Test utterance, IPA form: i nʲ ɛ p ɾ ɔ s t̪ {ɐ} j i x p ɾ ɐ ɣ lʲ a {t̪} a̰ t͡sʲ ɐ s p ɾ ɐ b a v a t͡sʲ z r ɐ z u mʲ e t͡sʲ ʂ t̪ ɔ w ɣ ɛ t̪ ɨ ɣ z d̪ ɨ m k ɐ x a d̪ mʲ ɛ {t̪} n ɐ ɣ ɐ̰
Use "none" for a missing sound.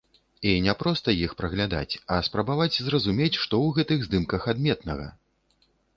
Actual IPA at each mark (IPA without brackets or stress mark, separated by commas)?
ɐ, d̪, t̪